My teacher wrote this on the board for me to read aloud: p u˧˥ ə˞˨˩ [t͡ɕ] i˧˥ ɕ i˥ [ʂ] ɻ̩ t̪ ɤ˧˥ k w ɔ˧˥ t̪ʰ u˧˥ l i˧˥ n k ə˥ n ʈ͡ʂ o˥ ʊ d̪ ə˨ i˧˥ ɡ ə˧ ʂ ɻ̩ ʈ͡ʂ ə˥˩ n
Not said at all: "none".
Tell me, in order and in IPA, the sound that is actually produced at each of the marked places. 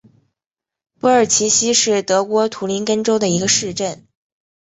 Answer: t͡ɕʰ, ʂ

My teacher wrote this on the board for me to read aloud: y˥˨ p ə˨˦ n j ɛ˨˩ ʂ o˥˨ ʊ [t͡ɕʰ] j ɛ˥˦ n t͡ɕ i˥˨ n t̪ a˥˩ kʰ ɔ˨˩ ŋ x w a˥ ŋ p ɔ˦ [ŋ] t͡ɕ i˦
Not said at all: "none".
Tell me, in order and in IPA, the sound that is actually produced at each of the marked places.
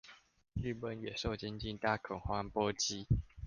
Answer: t͡ɕ, none

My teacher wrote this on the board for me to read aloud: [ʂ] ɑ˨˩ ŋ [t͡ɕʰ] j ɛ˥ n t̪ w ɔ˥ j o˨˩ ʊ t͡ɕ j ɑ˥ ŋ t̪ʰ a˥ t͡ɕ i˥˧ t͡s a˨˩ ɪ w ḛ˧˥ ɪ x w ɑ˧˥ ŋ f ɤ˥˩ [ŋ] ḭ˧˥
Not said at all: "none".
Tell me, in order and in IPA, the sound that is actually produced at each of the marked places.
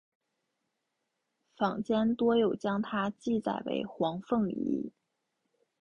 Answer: f, t͡ɕ, ŋ

